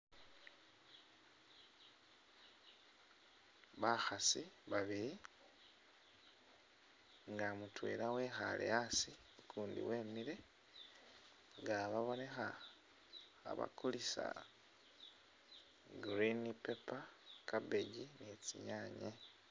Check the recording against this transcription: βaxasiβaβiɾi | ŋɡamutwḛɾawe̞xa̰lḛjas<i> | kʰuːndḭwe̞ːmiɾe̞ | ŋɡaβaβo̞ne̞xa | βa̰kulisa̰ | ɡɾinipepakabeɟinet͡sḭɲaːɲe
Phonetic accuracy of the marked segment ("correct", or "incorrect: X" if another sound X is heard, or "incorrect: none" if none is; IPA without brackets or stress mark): correct